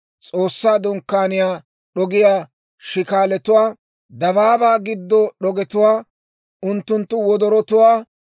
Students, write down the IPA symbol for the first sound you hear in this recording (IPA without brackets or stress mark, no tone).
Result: t͡sʼ